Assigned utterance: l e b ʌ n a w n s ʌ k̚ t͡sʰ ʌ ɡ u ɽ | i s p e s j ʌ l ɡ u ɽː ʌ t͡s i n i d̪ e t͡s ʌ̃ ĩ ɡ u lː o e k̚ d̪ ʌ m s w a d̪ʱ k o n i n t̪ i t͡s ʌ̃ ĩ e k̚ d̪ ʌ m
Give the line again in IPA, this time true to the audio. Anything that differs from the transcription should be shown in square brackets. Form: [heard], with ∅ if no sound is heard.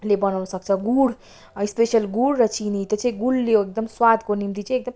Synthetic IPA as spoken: l e b ʌ n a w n s ʌ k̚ t͡sʰ ʌ ɡ u ɽ | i s p e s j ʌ l ɡ u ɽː ʌ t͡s i n i [t̪] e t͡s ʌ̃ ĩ ɡ u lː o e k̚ d̪ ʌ m s w a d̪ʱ k o n i [m] t̪ i t͡s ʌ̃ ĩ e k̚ d̪ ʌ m